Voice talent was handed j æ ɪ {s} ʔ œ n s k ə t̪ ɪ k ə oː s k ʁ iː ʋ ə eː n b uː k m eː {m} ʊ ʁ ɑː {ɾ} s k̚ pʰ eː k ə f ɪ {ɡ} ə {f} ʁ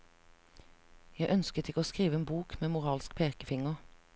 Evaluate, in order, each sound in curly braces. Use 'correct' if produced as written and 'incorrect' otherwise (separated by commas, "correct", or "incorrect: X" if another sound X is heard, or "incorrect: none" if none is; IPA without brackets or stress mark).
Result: incorrect: none, correct, incorrect: l, incorrect: ŋ, incorrect: none